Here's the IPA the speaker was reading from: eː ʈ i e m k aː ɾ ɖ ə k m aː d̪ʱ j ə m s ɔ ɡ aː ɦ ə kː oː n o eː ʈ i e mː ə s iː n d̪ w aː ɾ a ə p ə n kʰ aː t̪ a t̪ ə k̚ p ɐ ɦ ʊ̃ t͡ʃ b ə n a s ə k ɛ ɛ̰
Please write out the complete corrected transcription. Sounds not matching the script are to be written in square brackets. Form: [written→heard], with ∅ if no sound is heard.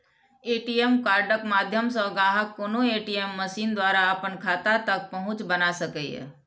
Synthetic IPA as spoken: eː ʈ i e m k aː ɾ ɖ ə k m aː d̪ʱ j ə m s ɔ ɡ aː ɦ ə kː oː n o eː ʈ i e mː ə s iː n d̪ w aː ɾ a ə p ə n kʰ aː t̪ a t̪ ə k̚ p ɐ ɦ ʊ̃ t͡ʃ b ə n a s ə k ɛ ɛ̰